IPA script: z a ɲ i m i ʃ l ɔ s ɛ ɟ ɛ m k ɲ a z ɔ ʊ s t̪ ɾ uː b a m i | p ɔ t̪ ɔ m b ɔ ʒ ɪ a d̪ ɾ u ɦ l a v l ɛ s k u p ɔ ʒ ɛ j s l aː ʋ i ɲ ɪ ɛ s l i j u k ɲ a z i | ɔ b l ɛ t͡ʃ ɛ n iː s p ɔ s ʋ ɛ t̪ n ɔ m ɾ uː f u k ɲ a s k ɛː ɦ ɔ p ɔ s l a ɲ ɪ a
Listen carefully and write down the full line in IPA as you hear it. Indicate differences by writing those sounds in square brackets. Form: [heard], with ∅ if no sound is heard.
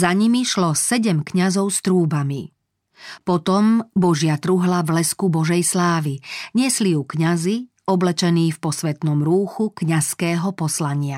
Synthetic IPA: z a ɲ i m i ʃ l ɔ s ɛ ɟ ɛ m k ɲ a z ɔ ʊ s t̪ ɾ uː b a m i | p ɔ t̪ ɔ m b ɔ ʒ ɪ a [t̪] ɾ u ɦ l a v l ɛ s k u [b] ɔ ʒ ɛ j s l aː ʋ i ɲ ɪ ɛ s l i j u k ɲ a z i | ɔ b l ɛ t͡ʃ ɛ n iː [f] p ɔ s ʋ ɛ t̪ n ɔ m ɾ uː [x] u k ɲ a s k ɛː ɦ ɔ p ɔ s l a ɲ ɪ a